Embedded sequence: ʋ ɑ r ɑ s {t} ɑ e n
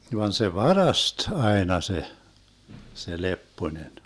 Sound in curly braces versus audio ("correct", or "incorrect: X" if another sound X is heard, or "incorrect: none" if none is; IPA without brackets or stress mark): correct